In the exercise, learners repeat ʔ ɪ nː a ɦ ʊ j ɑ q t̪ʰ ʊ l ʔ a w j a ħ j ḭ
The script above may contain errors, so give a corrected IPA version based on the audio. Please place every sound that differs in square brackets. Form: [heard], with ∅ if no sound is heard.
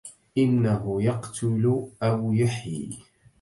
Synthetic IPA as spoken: ʔ ɪ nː a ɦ ʊ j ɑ q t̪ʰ ʊ l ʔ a w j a ħ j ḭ